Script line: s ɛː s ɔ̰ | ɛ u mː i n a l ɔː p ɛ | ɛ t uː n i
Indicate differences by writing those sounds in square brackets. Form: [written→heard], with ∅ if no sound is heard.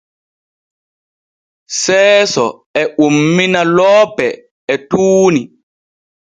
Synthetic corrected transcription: s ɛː s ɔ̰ | ɛ u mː i n a l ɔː p ɛ | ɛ t uː n i

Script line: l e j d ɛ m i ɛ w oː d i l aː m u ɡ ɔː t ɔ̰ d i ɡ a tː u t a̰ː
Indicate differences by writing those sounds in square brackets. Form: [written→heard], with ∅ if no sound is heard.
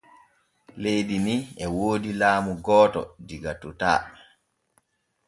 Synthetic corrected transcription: l e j d [ɛ→i] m i ɛ w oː d i l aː m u ɡ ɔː t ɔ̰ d i ɡ a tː u t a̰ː

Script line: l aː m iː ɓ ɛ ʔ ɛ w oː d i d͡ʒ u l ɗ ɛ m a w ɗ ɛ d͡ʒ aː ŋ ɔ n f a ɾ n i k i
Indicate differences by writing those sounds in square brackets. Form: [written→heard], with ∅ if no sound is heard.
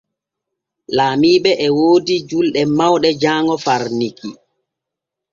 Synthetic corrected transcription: l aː m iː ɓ ɛ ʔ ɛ w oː d i d͡ʒ u l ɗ ɛ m a w ɗ ɛ d͡ʒ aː ŋ ɔ [n→∅] f a ɾ n i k i

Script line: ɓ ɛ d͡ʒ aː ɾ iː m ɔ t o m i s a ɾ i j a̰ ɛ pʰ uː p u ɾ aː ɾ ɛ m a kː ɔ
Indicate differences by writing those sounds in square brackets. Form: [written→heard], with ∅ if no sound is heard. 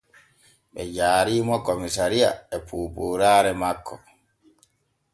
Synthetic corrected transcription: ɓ ɛ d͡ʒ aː ɾ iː m ɔ [t→k] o m i s a ɾ i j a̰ ɛ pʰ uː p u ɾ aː ɾ ɛ m a kː ɔ

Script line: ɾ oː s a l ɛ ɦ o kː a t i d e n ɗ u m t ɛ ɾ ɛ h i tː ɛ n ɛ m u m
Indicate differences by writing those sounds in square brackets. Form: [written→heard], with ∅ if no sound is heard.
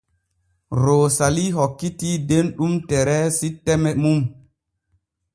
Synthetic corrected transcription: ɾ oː s a l [ɛ→i] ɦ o kː [a→i] t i d e n ɗ u m t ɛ ɾ ɛ [h→s] i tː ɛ [n→m] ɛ m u m

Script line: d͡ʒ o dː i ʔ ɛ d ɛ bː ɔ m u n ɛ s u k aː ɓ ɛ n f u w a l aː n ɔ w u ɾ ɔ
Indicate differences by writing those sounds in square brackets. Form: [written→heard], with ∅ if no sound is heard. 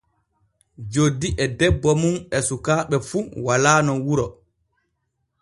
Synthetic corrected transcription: d͡ʒ o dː i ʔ ɛ d ɛ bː ɔ m u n ɛ s u k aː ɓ ɛ [n→∅] f u w a l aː n ɔ w u ɾ ɔ

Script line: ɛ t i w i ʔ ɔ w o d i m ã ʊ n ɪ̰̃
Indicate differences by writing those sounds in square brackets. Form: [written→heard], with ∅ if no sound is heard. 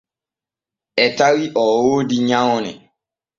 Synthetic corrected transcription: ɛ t [i→a] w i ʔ ɔ w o d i [m→ɲ] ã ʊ n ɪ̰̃

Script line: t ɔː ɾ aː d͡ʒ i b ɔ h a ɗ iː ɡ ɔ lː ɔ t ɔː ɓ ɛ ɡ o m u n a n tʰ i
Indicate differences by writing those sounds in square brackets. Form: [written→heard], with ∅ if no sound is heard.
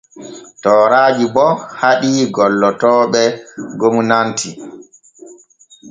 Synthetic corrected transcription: t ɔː ɾ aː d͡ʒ i b ɔ h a ɗ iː ɡ ɔ lː ɔ t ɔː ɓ ɛ ɡ o m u n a n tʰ i

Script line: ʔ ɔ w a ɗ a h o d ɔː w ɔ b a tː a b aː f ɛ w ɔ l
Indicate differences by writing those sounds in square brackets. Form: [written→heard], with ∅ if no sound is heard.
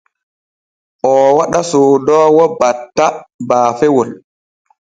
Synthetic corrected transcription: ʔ ɔ w a ɗ a [h→s] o d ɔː w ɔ b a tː a b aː f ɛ w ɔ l

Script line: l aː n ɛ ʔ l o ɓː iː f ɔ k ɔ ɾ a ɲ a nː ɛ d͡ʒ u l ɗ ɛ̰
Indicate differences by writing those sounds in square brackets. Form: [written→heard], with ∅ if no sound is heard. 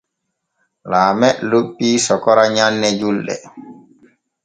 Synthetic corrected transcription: l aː [n→m] ɛ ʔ l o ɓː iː [f→s] ɔ k ɔ ɾ a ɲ a nː ɛ d͡ʒ u l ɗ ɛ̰

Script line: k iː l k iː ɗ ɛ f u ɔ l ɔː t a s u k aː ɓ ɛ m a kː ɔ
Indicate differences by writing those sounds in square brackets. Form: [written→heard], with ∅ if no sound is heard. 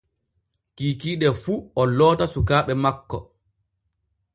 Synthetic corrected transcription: k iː [l→∅] k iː ɗ ɛ f u ɔ l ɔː t a s u k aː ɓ ɛ m a kː ɔ

